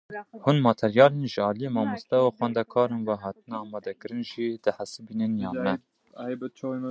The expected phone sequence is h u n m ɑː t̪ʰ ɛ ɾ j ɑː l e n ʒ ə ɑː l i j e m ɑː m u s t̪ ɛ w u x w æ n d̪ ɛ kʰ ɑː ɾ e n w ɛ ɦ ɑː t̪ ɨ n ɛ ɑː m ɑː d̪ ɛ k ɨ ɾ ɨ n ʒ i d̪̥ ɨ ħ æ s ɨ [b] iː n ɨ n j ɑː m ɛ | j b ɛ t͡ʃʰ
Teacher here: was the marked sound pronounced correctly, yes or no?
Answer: yes